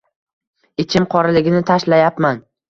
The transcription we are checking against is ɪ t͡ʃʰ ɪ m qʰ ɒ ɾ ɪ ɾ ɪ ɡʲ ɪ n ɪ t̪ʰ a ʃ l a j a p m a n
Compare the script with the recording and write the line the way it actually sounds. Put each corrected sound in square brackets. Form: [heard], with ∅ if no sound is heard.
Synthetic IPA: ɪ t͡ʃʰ ɪ m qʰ ɒ ɾ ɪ [l] ɪ ɡʲ ɪ n ɪ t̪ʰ a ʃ l a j a p m a n